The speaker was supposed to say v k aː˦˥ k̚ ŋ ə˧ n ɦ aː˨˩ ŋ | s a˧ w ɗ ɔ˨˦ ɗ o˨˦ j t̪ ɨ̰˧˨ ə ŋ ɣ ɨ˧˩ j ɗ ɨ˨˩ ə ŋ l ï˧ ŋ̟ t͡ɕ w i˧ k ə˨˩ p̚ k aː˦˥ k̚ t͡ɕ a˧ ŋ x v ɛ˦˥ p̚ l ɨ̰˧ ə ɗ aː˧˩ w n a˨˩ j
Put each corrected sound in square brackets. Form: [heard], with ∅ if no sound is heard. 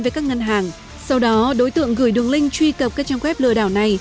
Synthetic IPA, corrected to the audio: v k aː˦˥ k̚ ŋ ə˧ n ɦ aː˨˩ ŋ | s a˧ w ɗ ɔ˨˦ ɗ o˨˦ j t̪ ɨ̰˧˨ ə ŋ ɣ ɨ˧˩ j ɗ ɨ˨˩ ə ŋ l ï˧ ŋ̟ t͡ɕ w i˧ k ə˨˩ p̚ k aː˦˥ k̚ t͡ɕ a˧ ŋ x [w] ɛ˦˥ p̚ l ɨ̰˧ ə ɗ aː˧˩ w n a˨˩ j